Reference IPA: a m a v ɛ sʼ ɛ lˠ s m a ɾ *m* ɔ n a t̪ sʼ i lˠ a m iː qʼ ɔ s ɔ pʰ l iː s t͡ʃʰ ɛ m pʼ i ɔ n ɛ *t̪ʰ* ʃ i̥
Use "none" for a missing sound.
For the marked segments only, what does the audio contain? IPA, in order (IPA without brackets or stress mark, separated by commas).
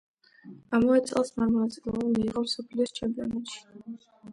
m, t̪